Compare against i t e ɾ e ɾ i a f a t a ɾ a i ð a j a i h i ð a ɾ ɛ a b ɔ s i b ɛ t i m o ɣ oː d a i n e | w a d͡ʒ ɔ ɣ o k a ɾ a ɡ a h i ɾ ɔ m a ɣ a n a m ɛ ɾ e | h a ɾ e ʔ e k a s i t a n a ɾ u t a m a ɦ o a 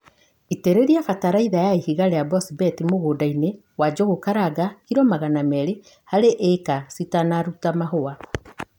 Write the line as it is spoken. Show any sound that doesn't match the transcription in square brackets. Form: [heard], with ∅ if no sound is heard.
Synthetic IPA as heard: i t e ɾ e ɾ i a f a t a ɾ a i ð a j a i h i [ɣ] a ɾ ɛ a b ɔ s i b ɛ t i m o ɣ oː d a i n e | w a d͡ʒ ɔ ɣ o k a ɾ a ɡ a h i ɾ ɔ m a ɣ a n a m ɛ ɾ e | h a ɾ e ʔ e k a s i t a n a ɾ u t a m a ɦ o a